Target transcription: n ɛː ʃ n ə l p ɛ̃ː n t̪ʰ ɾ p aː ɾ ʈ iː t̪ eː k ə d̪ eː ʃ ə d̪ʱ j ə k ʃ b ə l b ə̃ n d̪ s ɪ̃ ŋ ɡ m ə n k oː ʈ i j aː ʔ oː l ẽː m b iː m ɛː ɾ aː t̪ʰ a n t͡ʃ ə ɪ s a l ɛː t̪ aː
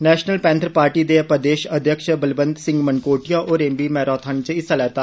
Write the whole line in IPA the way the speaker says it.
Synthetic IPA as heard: n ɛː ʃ n ə l p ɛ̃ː n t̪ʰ ɾ p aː ɾ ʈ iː d̪ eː p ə d̪ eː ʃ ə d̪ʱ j ə k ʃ b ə l b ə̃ n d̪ s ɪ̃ ŋ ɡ m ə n k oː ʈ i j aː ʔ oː ɾ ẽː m b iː m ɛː ɾ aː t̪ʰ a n t͡ʃ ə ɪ s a l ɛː t̪ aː